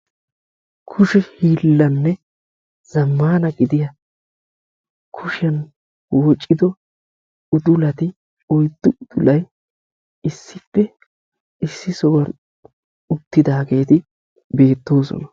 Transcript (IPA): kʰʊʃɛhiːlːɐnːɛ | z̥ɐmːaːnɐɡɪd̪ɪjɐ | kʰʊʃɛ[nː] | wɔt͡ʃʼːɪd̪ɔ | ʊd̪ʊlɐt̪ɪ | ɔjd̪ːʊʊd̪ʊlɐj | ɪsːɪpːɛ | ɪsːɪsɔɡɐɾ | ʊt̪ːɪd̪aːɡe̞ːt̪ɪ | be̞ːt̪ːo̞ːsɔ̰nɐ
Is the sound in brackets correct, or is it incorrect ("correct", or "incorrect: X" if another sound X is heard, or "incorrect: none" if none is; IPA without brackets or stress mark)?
incorrect: n